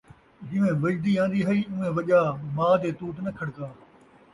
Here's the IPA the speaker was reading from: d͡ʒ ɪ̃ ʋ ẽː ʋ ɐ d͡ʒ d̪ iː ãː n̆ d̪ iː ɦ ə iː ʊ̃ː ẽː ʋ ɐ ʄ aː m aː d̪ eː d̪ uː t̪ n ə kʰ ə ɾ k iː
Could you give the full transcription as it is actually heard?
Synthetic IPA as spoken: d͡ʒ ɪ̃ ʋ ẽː ʋ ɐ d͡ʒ d̪ iː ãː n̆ d̪ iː ɦ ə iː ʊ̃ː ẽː ʋ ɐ ʄ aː m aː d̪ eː t̪ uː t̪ n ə kʰ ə ɽ k aː

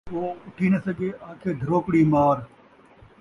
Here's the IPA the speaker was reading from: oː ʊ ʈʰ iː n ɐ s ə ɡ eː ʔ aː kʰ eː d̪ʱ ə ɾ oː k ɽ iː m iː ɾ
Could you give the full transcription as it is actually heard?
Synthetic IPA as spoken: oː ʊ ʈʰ iː n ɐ s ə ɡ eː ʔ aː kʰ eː d̪ʱ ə ɾ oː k ɽ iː m aː ɾ

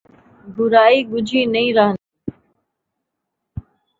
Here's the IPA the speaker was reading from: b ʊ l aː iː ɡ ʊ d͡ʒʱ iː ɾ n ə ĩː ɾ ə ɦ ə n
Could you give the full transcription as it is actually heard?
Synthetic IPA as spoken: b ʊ ɾ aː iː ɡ ʊ d͡ʒʱ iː n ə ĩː ɾ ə ɦ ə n

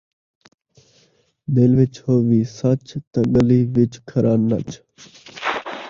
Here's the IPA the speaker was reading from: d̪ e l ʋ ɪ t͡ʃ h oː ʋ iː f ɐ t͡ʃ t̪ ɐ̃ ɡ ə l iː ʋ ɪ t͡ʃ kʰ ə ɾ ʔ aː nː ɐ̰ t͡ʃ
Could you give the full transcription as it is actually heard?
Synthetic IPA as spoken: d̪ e l ʋ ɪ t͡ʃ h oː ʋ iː s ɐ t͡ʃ t̪ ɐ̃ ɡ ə l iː ʋ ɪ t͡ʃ kʰ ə ɾ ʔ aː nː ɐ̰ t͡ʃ

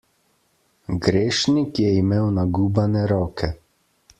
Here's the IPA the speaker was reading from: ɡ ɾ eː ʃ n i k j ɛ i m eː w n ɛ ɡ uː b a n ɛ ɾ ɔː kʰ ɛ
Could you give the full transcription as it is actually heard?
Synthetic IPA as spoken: ɡ ɾ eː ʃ n i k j ɛ i m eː w n a ɡ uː b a n ɛ ɾ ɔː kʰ ɛ

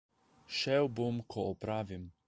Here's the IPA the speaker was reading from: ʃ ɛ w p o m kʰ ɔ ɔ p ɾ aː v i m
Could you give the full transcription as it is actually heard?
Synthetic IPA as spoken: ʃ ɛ w b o m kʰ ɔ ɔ p ɾ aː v i m

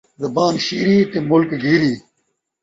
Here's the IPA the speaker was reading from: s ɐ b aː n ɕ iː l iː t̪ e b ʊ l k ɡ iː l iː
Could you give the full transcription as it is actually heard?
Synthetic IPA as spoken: z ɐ b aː n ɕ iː ɾ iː t̪ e m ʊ l k ɡ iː ɾ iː

